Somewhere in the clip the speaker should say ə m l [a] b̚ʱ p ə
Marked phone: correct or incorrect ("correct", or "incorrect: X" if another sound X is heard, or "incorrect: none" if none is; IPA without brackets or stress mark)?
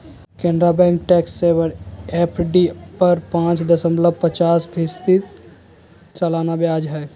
incorrect: ə